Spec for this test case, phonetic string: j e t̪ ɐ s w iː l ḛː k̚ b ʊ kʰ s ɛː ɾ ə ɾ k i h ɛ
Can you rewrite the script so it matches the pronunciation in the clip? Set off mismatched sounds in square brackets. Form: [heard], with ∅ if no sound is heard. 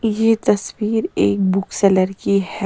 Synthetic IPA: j e t̪ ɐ s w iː [ɾ] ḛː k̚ b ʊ [k] s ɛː [l] ə ɾ k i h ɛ